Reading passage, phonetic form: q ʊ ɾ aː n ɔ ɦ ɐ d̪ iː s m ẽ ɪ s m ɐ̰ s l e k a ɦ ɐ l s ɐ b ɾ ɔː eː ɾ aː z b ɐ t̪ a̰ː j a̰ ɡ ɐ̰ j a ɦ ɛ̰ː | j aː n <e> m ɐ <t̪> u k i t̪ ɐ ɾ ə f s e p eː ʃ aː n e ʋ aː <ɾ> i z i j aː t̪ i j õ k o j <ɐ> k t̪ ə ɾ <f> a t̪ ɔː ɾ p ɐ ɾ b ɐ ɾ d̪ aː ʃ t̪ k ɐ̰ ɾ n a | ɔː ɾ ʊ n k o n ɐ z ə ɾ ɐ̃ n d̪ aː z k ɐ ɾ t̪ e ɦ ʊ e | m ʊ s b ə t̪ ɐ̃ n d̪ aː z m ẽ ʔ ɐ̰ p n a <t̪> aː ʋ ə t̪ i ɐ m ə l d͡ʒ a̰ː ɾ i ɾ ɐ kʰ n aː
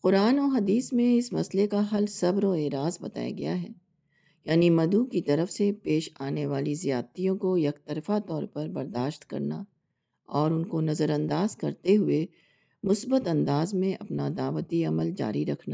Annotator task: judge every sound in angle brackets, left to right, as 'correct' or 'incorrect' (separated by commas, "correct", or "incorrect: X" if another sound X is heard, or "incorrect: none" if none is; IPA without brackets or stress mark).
incorrect: i, incorrect: d̪, incorrect: l, correct, correct, incorrect: d̪